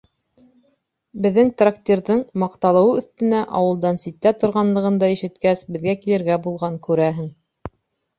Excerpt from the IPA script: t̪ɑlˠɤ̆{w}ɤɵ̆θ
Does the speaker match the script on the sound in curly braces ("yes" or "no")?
yes